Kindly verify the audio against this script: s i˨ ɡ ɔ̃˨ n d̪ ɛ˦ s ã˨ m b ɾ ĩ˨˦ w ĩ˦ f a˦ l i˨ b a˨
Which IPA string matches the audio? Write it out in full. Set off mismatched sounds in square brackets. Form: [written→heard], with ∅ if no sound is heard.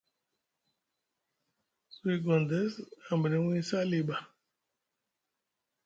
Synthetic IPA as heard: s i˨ ɡ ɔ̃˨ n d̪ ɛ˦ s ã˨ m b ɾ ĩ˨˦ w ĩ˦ [f→s] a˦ l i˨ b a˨

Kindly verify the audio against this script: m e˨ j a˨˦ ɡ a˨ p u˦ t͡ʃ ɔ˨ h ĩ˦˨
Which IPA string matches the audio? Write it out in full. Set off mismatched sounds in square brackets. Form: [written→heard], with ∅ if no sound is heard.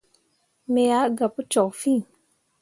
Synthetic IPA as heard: m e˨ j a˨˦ ɡ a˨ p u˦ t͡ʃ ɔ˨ [h→f] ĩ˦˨

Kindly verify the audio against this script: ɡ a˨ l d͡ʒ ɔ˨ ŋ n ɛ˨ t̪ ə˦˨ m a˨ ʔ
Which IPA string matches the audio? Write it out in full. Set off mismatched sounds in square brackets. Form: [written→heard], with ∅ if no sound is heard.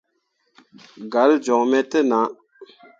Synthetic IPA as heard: ɡ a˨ l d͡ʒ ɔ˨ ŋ [n→m] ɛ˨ t̪ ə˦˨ [m→n] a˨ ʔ

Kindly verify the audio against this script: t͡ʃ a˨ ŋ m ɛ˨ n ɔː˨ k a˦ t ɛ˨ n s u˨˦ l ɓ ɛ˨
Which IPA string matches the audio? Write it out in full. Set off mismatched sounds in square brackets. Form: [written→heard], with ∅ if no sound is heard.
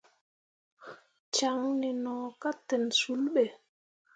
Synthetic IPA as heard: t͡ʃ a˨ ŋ [m→n] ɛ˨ n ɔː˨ k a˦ t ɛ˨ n s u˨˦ l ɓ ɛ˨

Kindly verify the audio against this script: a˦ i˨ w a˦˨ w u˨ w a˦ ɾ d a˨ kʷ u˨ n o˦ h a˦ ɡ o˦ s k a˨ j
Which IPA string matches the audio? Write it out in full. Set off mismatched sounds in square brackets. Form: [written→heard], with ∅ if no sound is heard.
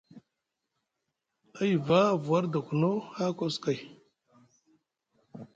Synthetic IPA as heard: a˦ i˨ [w→v] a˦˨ [w→v] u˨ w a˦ ɾ d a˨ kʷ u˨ n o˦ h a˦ [ɡ→k] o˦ s k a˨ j

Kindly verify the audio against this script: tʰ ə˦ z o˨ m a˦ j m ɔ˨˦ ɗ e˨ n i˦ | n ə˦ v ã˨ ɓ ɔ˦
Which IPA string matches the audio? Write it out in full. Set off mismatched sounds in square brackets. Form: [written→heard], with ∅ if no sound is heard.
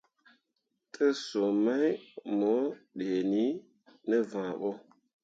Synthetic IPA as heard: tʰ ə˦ [z→s] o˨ m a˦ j m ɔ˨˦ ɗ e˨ n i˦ | n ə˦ v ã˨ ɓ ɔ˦

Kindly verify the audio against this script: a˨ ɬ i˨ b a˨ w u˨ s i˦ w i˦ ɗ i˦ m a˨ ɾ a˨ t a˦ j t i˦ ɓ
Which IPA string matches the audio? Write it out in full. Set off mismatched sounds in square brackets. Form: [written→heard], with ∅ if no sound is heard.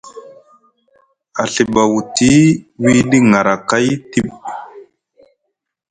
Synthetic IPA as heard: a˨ ɬ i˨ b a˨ w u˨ [s→t] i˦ w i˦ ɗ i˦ [m→ŋ] a˨ ɾ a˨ [t→k] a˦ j t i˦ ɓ

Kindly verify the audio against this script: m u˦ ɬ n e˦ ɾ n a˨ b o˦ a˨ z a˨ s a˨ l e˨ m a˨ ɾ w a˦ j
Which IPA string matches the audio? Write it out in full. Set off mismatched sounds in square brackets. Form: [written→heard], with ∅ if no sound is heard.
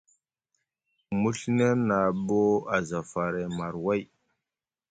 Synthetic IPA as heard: m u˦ ɬ n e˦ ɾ n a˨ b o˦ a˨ z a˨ [s→f] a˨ [l→ɾ] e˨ m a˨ ɾ w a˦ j

